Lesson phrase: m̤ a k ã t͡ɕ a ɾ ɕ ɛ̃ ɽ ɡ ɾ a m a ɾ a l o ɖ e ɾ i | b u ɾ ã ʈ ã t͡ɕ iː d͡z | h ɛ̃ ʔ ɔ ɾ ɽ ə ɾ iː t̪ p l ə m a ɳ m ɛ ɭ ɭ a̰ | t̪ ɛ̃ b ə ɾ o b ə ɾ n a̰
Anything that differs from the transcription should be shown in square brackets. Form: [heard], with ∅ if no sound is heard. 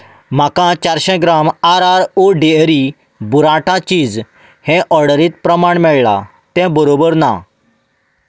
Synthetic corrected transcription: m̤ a k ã t͡ɕ a ɾ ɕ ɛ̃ [∅] ɡ ɾ a m a ɾ a [ɾ] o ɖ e ɾ i | b u ɾ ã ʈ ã t͡ɕ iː d͡z | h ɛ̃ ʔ ɔ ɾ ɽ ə ɾ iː t̪ p [ɾ] ə m a ɳ m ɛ ɭ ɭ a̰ | t̪ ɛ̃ b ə ɾ o b ə ɾ n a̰